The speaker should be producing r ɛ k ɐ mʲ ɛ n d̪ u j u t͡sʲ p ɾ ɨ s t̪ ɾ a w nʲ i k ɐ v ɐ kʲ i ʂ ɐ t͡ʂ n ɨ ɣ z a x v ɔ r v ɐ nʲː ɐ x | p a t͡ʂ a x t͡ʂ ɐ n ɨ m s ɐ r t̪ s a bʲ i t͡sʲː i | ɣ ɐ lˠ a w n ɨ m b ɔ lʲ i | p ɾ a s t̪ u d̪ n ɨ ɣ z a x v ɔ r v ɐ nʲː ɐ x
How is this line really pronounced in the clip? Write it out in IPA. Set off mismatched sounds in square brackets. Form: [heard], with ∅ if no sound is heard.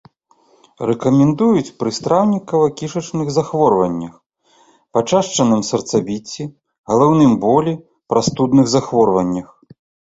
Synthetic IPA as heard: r ɛ k ɐ mʲ ɛ n d̪ u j u t͡sʲ p ɾ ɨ s t̪ ɾ a w nʲ i k ɐ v ɐ kʲ i ʂ ɐ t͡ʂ n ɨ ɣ z a x v ɔ r v ɐ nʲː ɐ x | p a t͡ʂ a [ʂ] t͡ʂ ɐ n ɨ m s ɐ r t̪ s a bʲ i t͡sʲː i | ɣ ɐ lˠ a w n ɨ m b ɔ lʲ i | p ɾ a s t̪ u d̪ n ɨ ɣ z a x v ɔ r v ɐ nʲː ɐ x